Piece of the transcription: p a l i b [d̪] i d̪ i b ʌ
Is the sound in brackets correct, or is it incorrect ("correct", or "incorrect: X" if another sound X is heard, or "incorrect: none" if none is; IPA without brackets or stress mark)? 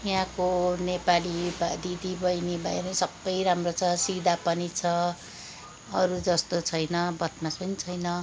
correct